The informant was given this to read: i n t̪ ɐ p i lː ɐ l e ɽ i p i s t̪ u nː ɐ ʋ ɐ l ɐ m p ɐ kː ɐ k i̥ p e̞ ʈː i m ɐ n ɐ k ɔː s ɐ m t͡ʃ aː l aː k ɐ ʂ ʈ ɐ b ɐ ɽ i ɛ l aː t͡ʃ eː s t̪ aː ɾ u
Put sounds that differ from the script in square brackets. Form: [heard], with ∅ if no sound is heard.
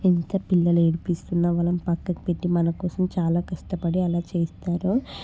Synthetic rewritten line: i n t̪ ɐ p i lː ɐ l e ɽ i p i s t̪ u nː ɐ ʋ ɐ l ɐ m p ɐ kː ɐ k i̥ p e̞ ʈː i m ɐ n ɐ k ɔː s ɐ m t͡ʃ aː l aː k ɐ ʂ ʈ ɐ [p] ɐ ɽ i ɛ l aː t͡ʃ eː s t̪ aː ɾ u